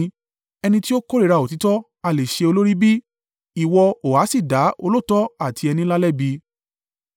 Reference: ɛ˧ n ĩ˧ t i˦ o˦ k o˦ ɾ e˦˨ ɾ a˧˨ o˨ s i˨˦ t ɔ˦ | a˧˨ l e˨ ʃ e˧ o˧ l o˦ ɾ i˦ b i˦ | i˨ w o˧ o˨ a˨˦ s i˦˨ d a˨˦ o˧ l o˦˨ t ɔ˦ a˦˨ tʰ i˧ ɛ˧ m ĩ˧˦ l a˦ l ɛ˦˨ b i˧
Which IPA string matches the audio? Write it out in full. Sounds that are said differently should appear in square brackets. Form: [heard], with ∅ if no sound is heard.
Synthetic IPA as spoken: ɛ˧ n ĩ˧ t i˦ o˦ k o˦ ɾ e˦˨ ɾ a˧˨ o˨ [t] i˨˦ t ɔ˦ | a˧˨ l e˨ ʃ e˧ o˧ l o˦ ɾ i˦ b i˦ | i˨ w [ɔ˧] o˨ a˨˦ s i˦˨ d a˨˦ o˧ l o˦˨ t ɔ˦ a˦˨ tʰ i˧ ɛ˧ [n] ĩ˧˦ l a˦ l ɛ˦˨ b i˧